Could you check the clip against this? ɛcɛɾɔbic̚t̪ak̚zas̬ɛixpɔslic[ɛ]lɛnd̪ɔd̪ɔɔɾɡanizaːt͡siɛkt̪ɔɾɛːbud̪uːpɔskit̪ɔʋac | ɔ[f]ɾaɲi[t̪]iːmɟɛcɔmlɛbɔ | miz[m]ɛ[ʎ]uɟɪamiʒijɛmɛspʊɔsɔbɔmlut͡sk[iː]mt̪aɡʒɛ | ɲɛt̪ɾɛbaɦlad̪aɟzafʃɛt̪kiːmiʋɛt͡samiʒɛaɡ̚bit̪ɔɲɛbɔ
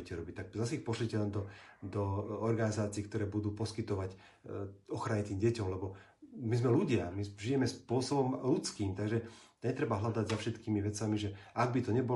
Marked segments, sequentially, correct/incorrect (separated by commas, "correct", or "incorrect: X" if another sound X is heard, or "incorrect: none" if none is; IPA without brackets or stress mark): correct, incorrect: x, correct, correct, incorrect: l, correct